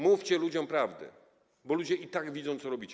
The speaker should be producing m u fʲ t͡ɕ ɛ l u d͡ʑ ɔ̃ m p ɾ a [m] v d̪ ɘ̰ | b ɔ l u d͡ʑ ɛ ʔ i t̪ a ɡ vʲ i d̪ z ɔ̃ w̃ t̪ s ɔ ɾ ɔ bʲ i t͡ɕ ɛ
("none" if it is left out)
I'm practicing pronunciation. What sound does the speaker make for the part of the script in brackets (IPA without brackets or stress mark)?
none